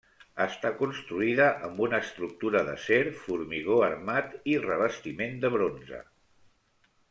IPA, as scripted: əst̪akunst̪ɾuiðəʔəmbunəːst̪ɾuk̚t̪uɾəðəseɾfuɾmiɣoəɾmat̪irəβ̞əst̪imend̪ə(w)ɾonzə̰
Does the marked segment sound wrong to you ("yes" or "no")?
yes